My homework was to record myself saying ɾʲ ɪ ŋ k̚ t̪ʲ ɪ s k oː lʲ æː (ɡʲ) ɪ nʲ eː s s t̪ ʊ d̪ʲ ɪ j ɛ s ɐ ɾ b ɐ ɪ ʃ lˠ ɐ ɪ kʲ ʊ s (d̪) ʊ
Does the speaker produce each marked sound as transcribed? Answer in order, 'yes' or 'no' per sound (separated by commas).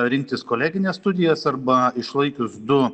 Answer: yes, yes